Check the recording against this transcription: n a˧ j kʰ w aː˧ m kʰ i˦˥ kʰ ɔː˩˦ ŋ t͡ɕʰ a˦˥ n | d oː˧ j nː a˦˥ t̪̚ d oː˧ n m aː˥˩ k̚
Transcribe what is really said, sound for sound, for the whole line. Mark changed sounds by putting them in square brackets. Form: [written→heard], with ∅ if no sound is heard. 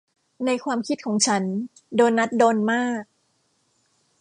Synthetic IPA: n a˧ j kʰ w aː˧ m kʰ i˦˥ kʰ ɔː˩˦ ŋ t͡ɕʰ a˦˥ n | d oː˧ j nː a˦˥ t̪̚ d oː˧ n m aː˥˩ k̚